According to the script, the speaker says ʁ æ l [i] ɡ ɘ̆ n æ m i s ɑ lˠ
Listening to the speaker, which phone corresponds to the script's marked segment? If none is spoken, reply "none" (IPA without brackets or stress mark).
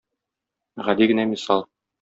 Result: i